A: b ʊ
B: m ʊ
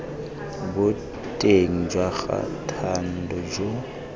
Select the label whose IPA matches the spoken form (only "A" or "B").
A